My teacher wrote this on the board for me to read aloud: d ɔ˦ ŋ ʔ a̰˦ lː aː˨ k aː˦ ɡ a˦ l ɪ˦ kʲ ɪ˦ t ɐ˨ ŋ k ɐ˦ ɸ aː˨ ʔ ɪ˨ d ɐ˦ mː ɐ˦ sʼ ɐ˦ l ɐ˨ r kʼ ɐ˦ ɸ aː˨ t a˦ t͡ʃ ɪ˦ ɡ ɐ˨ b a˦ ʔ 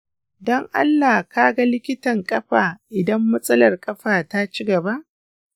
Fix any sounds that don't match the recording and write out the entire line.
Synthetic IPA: d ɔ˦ ŋ ʔ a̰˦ lː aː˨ k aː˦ ɡ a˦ l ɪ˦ kʲ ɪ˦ t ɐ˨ ŋ kʼ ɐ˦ ɸ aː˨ ʔ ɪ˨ d ɐ˦ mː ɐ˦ sʼ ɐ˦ l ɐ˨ r kʼ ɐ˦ ɸ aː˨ t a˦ t͡ʃ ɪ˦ ɡ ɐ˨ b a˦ ʔ